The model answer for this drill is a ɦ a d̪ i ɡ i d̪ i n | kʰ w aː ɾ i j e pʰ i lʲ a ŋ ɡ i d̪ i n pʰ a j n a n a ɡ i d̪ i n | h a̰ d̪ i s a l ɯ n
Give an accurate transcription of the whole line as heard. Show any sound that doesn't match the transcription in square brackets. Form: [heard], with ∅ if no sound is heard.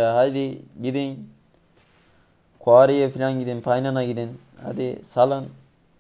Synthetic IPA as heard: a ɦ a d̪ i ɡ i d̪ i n | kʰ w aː ɾ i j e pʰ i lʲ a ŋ ɡ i d̪ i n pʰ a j n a n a ɡ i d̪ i n | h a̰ d̪ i s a l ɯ n